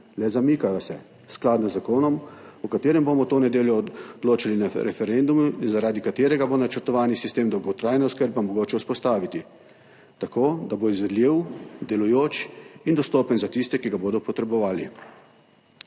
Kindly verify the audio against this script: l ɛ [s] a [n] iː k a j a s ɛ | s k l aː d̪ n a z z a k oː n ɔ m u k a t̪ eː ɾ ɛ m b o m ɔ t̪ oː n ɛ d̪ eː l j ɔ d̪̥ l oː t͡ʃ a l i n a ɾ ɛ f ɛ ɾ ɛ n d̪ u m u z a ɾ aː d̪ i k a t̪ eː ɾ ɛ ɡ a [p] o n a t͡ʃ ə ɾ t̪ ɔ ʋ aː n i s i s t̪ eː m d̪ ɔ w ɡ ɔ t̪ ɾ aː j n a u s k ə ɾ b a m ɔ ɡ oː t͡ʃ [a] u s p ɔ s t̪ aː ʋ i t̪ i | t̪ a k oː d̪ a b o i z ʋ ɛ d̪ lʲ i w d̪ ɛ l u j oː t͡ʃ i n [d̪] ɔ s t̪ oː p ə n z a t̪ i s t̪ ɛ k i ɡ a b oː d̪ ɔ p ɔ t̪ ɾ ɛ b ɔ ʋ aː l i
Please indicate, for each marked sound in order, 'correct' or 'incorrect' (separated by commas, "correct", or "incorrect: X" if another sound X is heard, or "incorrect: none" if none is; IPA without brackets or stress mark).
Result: incorrect: z, incorrect: m, incorrect: b, incorrect: ɛ, correct